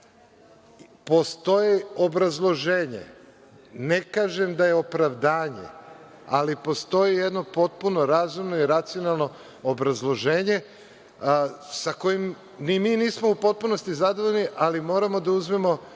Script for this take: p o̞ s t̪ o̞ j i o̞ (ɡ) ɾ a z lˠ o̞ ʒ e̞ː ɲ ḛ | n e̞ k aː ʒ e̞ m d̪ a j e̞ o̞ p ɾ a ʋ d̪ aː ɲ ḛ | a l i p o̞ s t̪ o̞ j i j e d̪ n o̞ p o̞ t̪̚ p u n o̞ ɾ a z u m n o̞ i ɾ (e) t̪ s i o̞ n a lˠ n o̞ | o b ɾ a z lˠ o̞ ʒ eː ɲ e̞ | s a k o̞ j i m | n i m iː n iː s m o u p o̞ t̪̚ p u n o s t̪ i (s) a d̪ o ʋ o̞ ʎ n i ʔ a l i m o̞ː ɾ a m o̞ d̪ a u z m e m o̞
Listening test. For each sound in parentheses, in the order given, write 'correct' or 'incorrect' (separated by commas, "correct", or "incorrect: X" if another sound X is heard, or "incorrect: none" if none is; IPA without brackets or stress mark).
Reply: incorrect: b, incorrect: a, incorrect: z